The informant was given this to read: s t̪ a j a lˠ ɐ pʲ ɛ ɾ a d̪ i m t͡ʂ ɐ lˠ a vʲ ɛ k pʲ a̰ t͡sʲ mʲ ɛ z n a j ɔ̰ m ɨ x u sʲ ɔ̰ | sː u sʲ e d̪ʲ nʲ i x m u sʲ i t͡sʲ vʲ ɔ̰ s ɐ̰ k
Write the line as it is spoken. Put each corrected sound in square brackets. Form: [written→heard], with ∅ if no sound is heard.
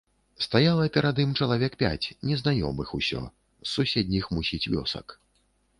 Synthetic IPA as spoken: s t̪ a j a lˠ ɐ pʲ ɛ ɾ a d̪ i m t͡ʂ ɐ lˠ a vʲ ɛ k pʲ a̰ t͡sʲ [mʲ→nʲ] ɛ z n a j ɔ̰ m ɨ x u sʲ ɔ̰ | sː u sʲ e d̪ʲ nʲ i x m u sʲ i t͡sʲ vʲ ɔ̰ s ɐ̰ k

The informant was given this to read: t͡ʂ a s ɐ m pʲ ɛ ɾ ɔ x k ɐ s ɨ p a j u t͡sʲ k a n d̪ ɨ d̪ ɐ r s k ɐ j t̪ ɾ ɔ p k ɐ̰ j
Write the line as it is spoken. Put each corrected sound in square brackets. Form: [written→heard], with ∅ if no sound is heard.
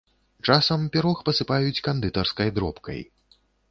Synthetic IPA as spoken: t͡ʂ a s ɐ m pʲ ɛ ɾ ɔ x [k→p] ɐ s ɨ p a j u t͡sʲ k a n d̪ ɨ [d̪→t̪] ɐ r s k ɐ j [t̪→d̪] ɾ ɔ p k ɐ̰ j

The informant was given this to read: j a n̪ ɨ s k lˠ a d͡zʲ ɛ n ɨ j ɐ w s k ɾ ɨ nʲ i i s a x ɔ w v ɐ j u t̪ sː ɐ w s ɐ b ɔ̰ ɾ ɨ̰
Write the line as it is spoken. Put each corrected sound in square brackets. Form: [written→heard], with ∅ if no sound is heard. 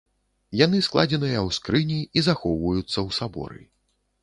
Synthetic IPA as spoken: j a n̪ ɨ s k lˠ a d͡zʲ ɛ n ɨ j ɐ w s k ɾ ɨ nʲ i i [s→z] a x ɔ w v ɐ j u t̪ sː ɐ w s [ɐ→a] b ɔ̰ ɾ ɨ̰

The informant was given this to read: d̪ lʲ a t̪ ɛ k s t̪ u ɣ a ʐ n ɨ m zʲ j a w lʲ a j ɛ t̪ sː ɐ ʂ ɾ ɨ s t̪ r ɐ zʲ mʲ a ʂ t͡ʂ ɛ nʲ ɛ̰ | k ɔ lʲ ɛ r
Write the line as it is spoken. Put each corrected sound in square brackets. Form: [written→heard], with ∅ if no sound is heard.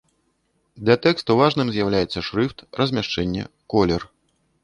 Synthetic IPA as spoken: d̪ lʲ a t̪ ɛ k s t̪ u [ɣ→v] a ʐ n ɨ m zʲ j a w lʲ a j ɛ t̪ sː ɐ ʂ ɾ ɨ [s→f] t̪ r ɐ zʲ mʲ a ʂ t͡ʂ ɛ [nʲ→nʲː] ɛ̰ | k ɔ lʲ ɛ r

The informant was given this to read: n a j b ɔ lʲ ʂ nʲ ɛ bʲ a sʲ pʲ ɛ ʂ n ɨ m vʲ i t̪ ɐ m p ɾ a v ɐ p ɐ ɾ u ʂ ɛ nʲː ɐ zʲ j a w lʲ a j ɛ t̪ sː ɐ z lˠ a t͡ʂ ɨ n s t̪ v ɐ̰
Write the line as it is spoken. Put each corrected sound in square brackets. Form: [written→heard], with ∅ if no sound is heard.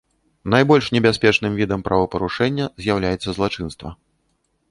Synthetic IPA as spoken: n a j b ɔ lʲ ʂ nʲ ɛ bʲ a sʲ pʲ ɛ [ʂ→t͡ʂ] n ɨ m vʲ i [t̪→d̪] ɐ m p ɾ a v ɐ p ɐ ɾ u ʂ ɛ nʲː ɐ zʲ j a w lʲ a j ɛ t̪ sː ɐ z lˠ a t͡ʂ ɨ n s t̪ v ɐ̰

